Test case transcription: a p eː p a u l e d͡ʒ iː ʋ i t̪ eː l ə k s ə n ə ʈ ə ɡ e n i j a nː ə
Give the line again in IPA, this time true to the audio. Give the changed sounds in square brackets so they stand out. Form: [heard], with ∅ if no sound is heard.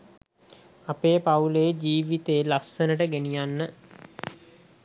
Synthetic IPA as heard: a p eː p a u l e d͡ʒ iː ʋ i t̪ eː l [a] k s ə n ə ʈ ə ɡ e n i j a nː ə